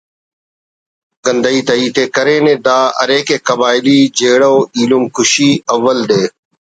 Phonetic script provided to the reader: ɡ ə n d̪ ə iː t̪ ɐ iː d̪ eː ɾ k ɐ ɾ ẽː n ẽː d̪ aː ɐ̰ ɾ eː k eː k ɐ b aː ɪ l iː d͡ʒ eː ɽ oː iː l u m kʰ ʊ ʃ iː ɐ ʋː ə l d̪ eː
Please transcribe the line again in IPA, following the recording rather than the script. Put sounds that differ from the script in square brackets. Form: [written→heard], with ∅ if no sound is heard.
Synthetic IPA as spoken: ɡ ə n d̪ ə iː t̪ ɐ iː [d̪→t̪] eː [ɾ→∅] k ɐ ɾ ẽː n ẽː d̪ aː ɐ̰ ɾ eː k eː k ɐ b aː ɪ l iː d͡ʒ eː ɽ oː iː l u m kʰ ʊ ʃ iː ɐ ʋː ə l d̪ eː